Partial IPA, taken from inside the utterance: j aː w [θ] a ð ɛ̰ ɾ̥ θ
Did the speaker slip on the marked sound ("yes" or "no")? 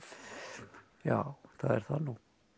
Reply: no